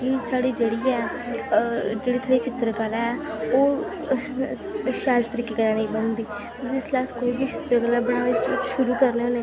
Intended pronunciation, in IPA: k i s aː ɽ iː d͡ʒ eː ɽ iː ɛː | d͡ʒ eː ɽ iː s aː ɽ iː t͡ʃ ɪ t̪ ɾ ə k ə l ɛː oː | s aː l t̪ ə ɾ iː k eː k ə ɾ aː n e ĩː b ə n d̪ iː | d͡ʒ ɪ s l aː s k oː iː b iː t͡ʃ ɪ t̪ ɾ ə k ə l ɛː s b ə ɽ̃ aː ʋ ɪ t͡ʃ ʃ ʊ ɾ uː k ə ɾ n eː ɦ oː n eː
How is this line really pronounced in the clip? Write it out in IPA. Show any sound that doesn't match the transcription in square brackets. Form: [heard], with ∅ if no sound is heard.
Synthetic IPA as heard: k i s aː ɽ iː d͡ʒ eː ɽ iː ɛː | d͡ʒ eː ɽ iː s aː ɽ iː t͡ʃ ɪ t̪ ɾ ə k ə l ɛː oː | [ʃ] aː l t̪ ə ɾ iː k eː k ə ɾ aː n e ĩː b ə n d̪ iː | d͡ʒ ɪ s l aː s k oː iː b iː t͡ʃ ɪ t̪ ɾ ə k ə l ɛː [∅] b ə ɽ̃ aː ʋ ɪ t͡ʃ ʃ ʊ ɾ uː k ə ɾ n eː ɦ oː n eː